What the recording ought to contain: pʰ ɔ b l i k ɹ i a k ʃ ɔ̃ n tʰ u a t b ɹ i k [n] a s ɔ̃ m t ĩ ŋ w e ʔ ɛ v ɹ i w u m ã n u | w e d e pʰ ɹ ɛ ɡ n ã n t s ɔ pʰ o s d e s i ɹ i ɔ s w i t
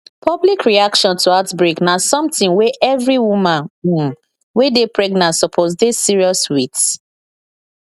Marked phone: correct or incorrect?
correct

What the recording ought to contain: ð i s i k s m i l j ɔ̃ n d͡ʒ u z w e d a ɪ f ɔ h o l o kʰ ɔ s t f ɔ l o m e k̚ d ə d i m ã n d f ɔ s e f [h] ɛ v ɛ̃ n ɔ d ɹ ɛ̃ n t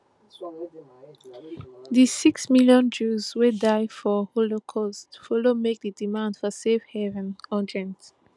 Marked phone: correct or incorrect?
correct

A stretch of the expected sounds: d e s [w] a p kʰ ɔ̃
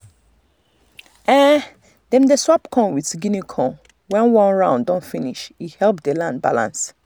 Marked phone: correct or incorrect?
correct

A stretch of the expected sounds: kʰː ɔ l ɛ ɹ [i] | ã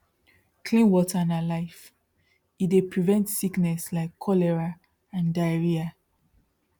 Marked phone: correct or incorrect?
incorrect: a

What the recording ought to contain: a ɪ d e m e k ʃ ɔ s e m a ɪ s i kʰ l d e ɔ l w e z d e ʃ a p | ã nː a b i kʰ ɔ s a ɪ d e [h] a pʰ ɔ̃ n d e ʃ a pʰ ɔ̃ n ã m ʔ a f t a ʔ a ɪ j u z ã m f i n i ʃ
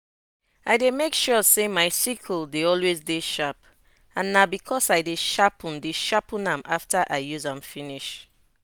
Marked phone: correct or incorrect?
incorrect: ʃ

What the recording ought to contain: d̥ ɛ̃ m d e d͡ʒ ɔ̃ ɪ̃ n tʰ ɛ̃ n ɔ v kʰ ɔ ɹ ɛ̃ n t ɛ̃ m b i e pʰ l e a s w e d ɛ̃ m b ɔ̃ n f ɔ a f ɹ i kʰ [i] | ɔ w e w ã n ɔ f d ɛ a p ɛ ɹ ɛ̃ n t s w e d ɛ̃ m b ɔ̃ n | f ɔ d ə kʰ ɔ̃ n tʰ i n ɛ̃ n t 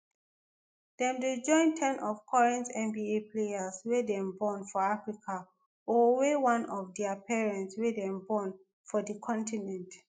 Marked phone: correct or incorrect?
incorrect: a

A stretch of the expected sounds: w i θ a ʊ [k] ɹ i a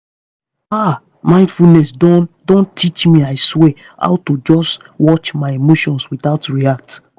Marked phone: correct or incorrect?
incorrect: t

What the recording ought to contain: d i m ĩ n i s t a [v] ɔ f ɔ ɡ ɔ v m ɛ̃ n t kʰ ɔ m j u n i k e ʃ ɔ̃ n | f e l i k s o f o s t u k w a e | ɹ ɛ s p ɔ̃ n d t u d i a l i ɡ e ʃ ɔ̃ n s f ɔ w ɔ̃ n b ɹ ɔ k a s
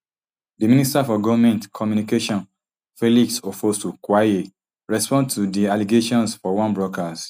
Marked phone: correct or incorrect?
incorrect: none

